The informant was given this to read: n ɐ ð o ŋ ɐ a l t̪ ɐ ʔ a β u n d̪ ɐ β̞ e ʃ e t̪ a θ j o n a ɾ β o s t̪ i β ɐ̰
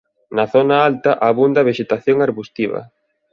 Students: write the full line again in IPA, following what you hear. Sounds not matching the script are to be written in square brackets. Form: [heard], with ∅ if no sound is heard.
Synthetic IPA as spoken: n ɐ [θ] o [n] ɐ a l t̪ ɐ ʔ a β u n d̪ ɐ β̞ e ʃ e t̪ a θ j o [ŋ] a ɾ β [u] s t̪ i β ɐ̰